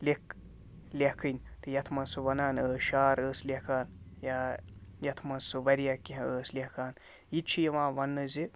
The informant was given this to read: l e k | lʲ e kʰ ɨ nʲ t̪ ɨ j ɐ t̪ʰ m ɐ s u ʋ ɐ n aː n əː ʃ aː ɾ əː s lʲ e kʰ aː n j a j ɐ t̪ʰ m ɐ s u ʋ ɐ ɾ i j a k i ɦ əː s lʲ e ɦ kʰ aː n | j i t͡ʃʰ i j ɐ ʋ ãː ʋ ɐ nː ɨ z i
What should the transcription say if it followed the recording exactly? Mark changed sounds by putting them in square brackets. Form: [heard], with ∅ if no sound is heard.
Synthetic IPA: l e k | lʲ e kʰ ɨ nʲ t̪ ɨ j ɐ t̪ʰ m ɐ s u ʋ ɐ n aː n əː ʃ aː ɾ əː s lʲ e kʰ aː n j a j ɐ t̪ʰ m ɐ s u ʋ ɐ ɾ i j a k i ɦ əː s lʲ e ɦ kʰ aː n | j i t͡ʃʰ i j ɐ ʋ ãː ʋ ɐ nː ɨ z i